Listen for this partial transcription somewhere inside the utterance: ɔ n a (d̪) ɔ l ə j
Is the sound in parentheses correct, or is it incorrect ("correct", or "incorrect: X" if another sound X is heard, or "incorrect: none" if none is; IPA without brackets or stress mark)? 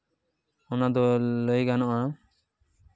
correct